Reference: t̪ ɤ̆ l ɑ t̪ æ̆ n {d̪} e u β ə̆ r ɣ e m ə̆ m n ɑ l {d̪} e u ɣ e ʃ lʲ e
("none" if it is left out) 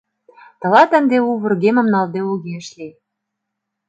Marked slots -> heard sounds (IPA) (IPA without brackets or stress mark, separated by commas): d̪, d̪